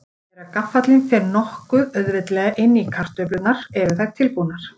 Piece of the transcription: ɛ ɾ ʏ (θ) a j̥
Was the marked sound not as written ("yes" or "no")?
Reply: no